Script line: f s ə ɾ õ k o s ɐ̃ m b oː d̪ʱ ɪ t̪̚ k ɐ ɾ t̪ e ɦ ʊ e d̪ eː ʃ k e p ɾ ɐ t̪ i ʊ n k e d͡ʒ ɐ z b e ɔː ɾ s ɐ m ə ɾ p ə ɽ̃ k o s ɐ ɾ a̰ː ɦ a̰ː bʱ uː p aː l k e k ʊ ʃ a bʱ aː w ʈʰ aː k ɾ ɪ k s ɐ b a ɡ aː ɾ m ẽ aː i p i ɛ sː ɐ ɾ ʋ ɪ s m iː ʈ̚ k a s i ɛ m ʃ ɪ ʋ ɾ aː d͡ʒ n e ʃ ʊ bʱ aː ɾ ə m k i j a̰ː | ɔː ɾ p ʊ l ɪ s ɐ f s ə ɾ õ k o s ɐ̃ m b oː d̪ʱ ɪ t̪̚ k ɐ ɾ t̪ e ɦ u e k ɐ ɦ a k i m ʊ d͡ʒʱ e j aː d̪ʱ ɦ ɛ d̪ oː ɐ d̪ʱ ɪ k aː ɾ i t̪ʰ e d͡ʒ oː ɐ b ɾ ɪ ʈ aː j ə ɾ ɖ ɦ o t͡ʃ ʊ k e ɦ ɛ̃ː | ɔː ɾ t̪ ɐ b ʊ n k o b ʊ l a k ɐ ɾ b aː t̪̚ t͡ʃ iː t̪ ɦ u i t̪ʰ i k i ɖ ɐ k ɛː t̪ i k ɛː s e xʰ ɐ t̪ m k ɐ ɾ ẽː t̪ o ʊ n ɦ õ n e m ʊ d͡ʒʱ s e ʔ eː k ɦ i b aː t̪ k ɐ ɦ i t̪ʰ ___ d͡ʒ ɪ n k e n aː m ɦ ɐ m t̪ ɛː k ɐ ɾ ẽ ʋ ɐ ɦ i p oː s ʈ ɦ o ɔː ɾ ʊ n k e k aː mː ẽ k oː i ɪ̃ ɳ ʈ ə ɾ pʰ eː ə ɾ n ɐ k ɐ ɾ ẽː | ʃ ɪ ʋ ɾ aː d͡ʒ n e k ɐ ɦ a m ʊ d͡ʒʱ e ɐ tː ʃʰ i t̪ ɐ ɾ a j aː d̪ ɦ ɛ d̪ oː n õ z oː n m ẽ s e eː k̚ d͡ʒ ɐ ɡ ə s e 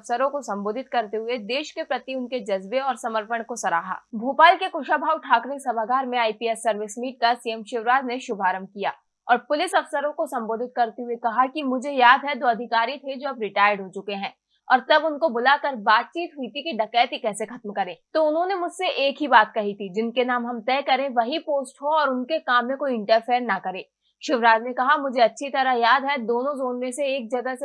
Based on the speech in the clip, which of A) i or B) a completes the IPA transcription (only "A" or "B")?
A